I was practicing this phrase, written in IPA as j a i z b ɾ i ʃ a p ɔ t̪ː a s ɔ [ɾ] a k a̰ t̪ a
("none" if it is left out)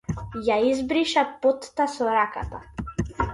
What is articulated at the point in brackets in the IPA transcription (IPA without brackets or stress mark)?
ɾ